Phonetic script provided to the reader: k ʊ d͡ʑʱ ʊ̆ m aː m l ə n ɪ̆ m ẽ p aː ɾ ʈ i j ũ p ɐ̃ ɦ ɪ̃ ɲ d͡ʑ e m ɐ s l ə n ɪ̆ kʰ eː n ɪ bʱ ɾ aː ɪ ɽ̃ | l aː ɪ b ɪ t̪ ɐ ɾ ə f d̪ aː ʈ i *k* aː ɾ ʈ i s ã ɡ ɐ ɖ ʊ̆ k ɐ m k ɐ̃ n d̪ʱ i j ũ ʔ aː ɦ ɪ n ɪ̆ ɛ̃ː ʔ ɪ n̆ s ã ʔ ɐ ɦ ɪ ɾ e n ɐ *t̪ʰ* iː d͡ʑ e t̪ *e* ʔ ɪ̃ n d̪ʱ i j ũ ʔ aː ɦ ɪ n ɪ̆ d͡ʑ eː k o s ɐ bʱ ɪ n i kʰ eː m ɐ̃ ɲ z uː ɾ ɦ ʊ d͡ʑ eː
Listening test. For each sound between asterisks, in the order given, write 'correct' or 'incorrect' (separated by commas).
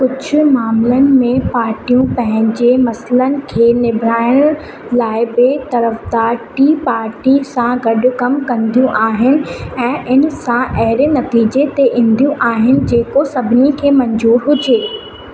incorrect, incorrect, correct